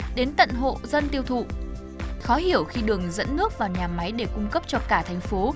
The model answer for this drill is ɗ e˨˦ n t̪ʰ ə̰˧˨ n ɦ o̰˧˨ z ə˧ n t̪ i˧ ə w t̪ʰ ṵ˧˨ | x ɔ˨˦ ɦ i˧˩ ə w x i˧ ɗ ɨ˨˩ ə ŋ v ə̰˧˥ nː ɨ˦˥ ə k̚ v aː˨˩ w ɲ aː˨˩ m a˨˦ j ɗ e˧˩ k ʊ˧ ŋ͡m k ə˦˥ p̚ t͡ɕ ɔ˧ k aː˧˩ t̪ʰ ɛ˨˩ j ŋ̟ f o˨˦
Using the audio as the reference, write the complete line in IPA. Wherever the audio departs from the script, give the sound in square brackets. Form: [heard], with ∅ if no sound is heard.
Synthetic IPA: ɗ e˨˦ n [t̪] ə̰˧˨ n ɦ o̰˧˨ z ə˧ n t̪ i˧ ə w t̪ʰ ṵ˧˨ | x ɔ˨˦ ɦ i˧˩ ə w x i˧ ɗ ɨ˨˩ ə ŋ [z] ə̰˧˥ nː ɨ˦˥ ə k̚ v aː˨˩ w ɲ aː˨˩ m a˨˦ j ɗ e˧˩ k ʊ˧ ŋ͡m k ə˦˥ p̚ t͡ɕ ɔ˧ k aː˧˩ t̪ʰ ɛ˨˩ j ŋ̟ f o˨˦